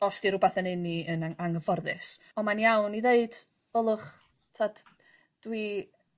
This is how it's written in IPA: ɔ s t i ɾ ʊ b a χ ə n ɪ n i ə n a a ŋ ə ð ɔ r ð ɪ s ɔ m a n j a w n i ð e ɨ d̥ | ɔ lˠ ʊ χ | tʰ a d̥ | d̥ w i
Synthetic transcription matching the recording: ɔ s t i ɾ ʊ b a θ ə n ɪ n i ə n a a ŋ ə v ɔ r ð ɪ s ɔ m a n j a w n i ð e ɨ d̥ | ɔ lˠ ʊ χ | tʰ a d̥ | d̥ w i